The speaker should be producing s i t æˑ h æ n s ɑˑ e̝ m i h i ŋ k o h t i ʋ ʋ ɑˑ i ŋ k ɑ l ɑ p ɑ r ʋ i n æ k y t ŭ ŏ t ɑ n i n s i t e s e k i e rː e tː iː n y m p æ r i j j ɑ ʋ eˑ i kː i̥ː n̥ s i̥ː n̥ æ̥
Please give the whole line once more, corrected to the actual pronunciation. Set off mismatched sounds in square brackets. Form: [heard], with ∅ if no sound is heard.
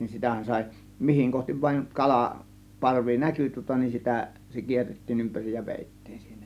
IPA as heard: s i t æˑ h æ n s ɑˑ e̝ m i h i ŋ k o h t i ʋ ʋ ɑˑ i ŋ k ɑ l ɑ p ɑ r ʋ i n æ k y t ŭ ŏ t ɑ n i n s i t [æ] s e k i e rː e tː iː n y m p æ r i j j ɑ ʋ eˑ i [tː] i̥ː n̥ s i̥ː n̥ æ̥